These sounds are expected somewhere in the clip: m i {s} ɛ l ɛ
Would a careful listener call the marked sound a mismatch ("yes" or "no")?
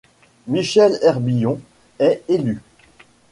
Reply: yes